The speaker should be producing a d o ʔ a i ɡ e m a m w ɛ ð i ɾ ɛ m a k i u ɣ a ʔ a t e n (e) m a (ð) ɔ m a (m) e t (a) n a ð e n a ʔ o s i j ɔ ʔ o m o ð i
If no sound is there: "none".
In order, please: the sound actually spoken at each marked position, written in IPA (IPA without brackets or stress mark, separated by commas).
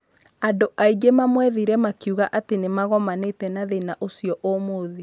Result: e, ɣ, n, ɛ